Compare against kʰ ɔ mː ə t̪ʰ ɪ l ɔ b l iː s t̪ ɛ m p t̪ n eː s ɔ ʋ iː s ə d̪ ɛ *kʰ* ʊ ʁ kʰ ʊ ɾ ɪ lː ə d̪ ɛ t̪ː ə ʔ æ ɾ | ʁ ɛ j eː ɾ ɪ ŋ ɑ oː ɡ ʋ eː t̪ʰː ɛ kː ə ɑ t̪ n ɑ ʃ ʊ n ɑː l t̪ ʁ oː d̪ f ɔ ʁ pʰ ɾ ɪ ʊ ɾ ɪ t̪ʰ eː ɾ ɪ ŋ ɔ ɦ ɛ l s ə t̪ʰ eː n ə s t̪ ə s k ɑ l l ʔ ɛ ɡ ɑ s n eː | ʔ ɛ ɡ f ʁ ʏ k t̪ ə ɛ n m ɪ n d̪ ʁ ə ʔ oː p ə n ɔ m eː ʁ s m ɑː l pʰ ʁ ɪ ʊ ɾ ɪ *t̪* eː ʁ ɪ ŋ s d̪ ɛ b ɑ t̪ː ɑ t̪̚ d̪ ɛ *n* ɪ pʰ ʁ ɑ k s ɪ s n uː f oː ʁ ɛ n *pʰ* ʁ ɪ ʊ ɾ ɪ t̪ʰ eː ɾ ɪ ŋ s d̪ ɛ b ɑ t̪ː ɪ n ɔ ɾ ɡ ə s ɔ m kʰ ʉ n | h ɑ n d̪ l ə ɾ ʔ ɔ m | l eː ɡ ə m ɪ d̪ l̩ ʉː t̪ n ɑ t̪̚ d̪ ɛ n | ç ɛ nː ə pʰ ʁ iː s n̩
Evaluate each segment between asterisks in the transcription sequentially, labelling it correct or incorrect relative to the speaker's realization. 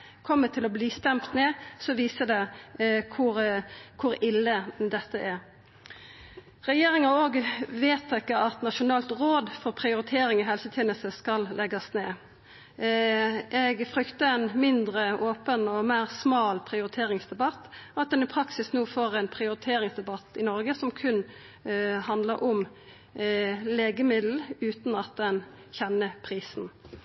correct, incorrect: t̪ʰ, correct, correct

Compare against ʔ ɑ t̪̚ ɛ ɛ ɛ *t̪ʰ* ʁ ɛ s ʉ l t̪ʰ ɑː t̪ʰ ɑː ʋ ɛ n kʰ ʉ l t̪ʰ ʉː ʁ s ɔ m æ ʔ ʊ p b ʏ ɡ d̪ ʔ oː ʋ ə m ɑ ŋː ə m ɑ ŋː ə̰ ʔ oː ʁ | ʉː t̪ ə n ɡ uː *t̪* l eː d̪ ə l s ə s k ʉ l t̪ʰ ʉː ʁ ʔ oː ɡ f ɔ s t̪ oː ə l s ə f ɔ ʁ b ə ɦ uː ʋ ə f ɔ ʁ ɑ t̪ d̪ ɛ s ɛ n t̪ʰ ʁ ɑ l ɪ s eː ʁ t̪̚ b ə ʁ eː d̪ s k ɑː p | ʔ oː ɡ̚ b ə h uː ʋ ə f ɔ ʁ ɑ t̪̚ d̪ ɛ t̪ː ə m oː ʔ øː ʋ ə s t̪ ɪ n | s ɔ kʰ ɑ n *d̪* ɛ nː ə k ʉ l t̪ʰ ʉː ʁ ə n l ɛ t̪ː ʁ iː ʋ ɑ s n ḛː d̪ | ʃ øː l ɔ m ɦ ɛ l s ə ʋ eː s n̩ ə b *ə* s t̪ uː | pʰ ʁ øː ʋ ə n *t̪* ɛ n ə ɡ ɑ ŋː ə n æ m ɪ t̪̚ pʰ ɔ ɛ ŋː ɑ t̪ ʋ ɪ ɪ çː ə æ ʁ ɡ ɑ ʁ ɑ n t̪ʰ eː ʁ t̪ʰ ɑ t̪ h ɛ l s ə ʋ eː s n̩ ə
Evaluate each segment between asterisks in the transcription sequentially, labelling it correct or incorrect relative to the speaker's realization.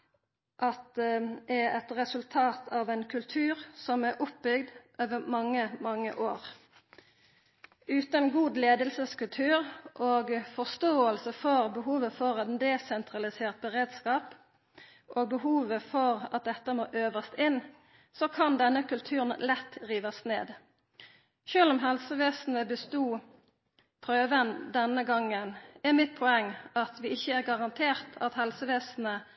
incorrect: t̪, incorrect: d̪, correct, correct, incorrect: d̪

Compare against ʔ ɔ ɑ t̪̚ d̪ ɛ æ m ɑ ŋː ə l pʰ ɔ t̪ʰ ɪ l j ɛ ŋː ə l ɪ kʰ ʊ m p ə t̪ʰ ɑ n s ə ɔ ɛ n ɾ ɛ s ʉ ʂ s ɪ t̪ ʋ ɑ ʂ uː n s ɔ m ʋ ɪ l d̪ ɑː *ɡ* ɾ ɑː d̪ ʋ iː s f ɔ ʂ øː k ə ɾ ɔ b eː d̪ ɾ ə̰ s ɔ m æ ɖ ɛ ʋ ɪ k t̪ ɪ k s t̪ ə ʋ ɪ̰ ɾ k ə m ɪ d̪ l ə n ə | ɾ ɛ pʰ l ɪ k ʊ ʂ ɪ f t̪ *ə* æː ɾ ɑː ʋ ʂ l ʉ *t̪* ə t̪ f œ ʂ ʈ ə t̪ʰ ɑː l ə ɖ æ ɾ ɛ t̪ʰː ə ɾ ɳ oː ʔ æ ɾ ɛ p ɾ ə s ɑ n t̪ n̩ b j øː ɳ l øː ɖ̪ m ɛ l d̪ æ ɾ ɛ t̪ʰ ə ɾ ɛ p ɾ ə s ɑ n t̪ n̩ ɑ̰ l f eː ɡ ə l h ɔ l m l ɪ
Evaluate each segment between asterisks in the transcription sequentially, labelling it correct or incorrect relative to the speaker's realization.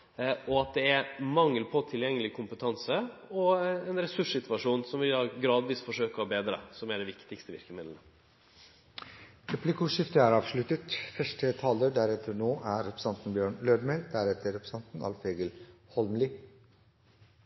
correct, correct, correct

